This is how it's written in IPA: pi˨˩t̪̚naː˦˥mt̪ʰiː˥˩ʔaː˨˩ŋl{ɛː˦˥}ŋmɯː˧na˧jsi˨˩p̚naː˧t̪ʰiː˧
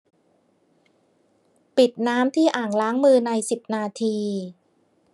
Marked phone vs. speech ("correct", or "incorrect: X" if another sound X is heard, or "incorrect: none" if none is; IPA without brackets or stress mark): incorrect: aː˦˥